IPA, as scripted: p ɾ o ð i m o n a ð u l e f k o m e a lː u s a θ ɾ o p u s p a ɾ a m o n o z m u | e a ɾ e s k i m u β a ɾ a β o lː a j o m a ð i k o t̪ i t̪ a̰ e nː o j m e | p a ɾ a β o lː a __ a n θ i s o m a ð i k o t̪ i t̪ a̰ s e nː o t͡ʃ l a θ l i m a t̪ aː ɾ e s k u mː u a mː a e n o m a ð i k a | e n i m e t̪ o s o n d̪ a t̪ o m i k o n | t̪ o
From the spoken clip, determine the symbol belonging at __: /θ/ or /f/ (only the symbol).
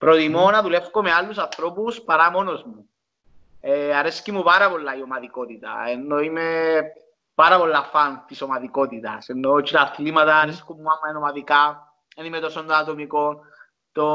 f